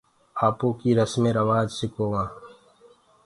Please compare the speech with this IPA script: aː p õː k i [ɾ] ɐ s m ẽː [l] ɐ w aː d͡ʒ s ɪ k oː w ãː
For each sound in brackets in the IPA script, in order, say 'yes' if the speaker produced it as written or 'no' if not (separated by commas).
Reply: yes, no